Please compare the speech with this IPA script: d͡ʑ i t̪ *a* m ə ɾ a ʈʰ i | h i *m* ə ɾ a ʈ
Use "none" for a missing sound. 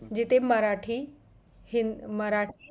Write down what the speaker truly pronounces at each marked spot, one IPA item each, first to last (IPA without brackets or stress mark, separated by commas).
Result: e, m